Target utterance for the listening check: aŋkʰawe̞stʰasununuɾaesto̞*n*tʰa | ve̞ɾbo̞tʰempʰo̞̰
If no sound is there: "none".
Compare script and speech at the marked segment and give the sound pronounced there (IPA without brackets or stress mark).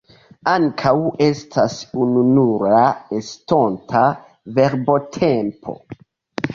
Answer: n